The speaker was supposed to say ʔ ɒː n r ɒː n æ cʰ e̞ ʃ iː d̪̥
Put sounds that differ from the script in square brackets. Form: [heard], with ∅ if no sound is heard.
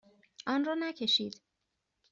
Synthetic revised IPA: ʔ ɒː n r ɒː n æ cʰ e̞ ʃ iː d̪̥